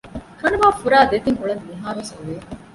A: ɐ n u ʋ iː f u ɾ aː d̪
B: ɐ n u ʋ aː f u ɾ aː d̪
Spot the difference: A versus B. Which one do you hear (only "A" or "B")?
B